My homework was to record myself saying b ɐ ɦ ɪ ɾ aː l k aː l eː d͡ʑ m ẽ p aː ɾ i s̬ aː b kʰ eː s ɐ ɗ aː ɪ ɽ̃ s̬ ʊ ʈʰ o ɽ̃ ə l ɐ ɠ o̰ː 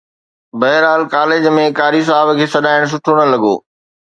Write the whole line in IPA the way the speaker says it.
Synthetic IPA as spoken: b ɐ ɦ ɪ ɾ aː l k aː l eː d͡ʑ m ẽ k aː ɾ i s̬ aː b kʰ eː s ɐ ɗ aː ɪ ɽ̃ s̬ ʊ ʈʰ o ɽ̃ ə l ɐ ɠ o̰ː